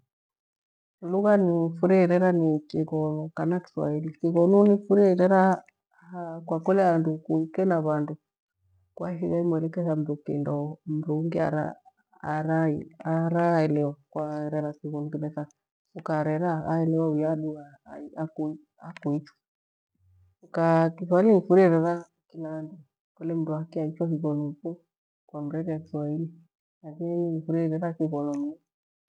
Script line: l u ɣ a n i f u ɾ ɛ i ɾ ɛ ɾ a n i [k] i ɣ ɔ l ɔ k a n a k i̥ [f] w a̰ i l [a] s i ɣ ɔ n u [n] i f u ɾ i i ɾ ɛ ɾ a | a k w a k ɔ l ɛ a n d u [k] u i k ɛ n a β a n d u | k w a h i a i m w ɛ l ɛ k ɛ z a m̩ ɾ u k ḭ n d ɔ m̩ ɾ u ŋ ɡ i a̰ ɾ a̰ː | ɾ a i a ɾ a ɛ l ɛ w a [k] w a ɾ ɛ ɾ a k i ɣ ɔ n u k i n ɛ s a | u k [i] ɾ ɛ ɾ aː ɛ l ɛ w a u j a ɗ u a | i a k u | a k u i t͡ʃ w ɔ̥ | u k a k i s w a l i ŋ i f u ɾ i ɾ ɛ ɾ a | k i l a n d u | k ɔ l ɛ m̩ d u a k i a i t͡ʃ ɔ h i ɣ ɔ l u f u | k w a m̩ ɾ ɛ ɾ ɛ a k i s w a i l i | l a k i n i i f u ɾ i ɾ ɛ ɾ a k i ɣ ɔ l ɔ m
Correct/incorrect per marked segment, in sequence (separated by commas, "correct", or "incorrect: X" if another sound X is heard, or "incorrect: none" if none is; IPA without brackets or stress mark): correct, incorrect: s, incorrect: i, correct, correct, correct, incorrect: a